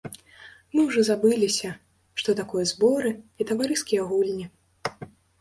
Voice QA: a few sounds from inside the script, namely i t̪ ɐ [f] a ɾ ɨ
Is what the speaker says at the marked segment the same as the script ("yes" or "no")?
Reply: no